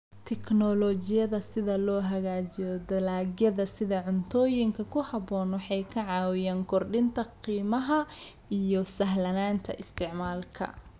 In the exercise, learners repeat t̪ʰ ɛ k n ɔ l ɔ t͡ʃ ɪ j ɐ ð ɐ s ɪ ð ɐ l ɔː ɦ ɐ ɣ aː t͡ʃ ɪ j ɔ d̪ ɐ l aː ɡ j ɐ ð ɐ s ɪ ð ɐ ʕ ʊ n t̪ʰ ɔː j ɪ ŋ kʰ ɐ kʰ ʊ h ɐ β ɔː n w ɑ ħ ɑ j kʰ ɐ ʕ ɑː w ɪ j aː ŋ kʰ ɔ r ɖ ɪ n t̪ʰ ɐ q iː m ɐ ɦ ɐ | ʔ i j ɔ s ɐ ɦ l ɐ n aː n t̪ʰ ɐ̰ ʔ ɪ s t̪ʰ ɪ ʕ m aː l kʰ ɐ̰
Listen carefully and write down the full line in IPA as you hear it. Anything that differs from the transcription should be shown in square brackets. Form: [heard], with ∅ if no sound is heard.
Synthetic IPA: t̪ʰ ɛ k n ɔ l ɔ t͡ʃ ɪ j ɐ ð ɐ s ɪ ð ɐ l ɔː ɦ ɐ ɣ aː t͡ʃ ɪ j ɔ d̪ ɐ l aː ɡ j ɐ ð ɐ s ɪ ð ɐ ʕ ʊ n t̪ʰ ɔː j ɪ ŋ kʰ ɐ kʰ ʊ h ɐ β ɔː n w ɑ ħ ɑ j kʰ ɐ ʕ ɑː w ɪ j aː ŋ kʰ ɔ r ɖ ɪ n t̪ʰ ɐ q iː m ɐ ɦ ɐ | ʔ i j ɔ s ɐ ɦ l ɐ n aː n t̪ʰ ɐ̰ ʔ ɪ s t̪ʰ ɪ ʕ m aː l kʰ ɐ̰